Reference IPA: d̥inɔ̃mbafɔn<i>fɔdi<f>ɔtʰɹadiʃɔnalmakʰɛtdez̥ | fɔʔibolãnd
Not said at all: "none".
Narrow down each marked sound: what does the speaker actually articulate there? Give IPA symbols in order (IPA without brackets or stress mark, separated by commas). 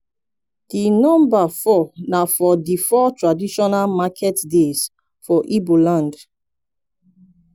a, f